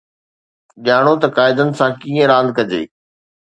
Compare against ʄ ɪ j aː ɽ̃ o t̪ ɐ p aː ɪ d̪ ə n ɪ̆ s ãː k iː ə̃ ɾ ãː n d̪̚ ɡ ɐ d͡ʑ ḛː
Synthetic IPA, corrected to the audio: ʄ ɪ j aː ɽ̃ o t̪ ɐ k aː ɪ d̪ ə n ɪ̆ s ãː k iː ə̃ ɾ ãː n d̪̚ k ɐ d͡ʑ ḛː